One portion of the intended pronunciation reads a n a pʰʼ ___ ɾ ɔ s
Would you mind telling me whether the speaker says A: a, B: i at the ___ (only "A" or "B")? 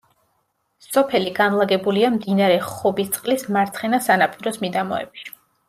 B